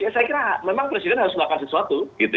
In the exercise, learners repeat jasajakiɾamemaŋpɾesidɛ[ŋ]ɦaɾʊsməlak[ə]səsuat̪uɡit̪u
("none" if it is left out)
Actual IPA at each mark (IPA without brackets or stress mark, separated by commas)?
n, a